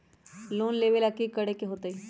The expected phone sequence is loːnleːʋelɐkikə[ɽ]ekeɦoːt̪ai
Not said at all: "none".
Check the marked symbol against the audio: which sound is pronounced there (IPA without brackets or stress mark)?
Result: ɽ